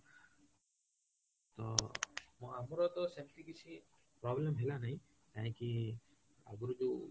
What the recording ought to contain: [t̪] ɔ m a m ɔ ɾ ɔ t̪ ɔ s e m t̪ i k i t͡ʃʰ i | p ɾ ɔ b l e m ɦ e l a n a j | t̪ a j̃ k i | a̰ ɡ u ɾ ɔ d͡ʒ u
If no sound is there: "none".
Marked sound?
t̪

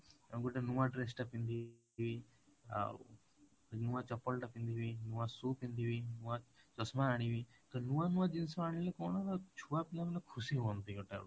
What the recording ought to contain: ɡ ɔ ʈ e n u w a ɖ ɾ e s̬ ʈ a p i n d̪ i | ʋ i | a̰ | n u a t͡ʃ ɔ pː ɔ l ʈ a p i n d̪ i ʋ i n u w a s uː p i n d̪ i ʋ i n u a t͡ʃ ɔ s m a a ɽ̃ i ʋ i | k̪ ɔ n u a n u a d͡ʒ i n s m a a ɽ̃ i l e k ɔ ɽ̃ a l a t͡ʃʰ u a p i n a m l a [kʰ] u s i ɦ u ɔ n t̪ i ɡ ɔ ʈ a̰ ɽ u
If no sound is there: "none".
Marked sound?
kʰ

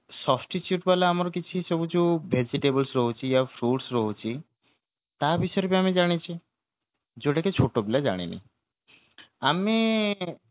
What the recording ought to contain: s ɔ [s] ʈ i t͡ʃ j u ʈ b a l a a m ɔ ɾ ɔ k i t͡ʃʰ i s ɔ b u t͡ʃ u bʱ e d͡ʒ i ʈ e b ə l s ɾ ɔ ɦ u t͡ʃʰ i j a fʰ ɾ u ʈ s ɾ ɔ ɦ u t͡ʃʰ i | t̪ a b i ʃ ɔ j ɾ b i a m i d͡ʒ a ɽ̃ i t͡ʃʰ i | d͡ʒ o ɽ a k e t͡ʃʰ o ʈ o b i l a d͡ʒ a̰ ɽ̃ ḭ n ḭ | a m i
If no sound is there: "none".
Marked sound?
s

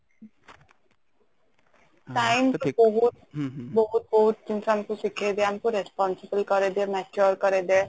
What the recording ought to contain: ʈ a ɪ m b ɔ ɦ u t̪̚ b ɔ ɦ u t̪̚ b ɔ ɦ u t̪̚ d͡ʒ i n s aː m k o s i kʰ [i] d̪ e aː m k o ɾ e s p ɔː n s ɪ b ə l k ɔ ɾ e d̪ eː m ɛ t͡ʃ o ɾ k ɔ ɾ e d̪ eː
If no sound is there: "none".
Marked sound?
e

